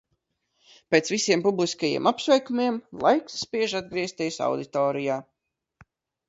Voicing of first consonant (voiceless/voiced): voiceless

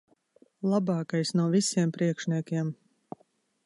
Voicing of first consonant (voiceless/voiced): voiced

